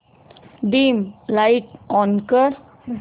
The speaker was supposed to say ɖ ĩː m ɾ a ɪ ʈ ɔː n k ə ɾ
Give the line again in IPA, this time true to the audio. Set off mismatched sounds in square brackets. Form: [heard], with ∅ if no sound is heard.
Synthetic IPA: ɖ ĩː m [l] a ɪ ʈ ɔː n k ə ɾ